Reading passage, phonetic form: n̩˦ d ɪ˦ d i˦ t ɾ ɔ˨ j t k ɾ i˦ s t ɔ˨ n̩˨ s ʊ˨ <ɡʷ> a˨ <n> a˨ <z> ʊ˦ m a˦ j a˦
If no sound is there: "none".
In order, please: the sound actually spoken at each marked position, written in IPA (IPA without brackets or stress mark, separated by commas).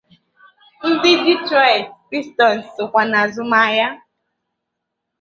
kʷ, n, z